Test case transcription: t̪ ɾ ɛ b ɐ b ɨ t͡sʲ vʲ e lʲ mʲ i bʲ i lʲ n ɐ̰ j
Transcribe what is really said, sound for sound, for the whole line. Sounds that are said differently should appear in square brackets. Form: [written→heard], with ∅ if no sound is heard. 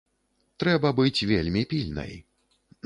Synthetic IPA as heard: t̪ ɾ ɛ b ɐ b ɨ t͡sʲ vʲ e lʲ mʲ i [bʲ→pʲ] i lʲ n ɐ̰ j

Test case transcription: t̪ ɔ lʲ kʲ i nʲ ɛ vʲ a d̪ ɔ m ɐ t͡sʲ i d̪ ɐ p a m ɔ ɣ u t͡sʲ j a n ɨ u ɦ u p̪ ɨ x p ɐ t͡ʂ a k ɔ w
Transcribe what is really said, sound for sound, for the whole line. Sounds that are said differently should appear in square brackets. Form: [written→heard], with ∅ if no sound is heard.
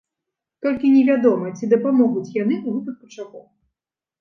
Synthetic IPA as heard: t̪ ɔ lʲ kʲ i nʲ ɛ vʲ a d̪ ɔ m ɐ t͡sʲ i d̪ ɐ p a m ɔ ɣ u t͡sʲ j a n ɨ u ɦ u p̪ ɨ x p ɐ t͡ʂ a k ɔ w

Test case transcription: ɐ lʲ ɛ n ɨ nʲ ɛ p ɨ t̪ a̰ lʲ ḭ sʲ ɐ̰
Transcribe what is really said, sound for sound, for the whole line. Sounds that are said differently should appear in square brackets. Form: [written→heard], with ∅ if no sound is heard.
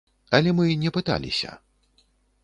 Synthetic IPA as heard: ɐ lʲ ɛ [n→m] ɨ nʲ ɛ p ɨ t̪ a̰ lʲ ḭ sʲ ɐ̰

